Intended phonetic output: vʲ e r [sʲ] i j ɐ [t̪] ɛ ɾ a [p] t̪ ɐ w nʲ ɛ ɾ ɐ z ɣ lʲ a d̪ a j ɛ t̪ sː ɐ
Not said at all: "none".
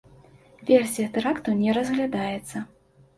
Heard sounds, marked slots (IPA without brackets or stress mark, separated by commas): sʲ, t̪, k